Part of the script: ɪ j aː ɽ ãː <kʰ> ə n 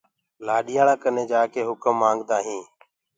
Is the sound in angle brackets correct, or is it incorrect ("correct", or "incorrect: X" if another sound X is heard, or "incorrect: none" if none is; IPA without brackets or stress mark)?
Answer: incorrect: k